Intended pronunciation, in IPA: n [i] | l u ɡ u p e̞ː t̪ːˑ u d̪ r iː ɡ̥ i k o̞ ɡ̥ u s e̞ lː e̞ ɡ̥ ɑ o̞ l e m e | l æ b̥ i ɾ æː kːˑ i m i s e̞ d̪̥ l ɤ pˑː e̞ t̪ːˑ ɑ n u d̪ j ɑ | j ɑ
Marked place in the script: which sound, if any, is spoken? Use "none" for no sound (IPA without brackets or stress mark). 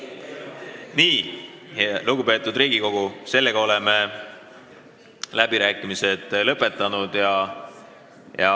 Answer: iː